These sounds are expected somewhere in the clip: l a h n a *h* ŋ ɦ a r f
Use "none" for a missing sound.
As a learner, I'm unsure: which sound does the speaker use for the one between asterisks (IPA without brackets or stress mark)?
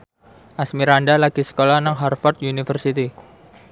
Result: none